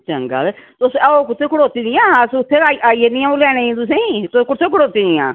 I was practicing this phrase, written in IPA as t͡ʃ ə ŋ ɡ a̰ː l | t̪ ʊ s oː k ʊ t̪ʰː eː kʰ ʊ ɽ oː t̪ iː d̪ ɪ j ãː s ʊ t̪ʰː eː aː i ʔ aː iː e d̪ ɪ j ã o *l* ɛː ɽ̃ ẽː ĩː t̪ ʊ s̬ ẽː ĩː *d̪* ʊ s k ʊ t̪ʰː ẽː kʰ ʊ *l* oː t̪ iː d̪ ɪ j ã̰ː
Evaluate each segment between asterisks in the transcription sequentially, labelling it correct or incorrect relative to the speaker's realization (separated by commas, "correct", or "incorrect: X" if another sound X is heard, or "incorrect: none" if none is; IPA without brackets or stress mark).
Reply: correct, incorrect: t̪, incorrect: ɽ